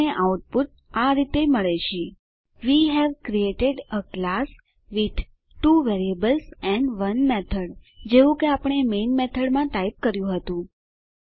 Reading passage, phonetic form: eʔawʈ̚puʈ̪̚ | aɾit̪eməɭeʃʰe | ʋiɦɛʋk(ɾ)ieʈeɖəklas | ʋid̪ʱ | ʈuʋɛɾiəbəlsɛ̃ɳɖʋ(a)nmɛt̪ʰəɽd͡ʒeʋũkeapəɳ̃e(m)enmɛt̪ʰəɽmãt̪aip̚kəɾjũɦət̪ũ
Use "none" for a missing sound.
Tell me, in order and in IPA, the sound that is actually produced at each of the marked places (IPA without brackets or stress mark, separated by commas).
ɾ, ə, m